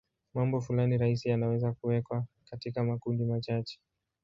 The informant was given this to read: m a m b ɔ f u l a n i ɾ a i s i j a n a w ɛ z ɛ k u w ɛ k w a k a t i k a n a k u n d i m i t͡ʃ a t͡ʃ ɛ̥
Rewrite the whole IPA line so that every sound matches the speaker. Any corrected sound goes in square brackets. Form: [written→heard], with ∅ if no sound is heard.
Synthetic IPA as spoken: m a m b ɔ f u l a n i ɾ a i s i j a n a w ɛ z [ɛ→a] k u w ɛ k w a k a t i k a [n→m] a k u n d i m [i→a] t͡ʃ a t͡ʃ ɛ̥